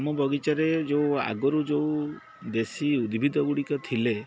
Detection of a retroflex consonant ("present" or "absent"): present